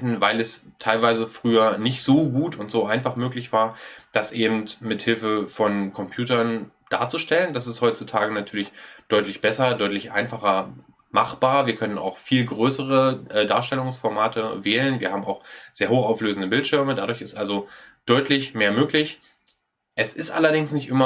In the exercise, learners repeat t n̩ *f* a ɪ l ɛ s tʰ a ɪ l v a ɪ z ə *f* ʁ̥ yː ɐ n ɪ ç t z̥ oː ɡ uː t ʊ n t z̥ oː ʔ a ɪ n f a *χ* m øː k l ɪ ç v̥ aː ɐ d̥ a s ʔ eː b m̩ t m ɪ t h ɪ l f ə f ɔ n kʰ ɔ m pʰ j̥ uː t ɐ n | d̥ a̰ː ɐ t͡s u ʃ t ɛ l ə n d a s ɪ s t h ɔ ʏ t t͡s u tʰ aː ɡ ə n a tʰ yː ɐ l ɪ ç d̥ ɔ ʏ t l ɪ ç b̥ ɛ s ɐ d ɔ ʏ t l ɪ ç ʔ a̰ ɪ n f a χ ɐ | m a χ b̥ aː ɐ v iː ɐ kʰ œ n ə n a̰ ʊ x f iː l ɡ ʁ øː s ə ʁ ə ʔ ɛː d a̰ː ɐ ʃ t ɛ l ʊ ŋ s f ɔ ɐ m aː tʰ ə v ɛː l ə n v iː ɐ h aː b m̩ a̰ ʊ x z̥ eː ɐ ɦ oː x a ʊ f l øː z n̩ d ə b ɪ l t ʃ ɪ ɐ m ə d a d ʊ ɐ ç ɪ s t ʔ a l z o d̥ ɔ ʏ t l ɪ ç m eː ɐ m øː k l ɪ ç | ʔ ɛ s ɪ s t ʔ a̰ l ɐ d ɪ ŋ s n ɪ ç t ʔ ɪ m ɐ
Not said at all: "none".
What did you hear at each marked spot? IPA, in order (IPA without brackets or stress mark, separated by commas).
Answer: v, f, χ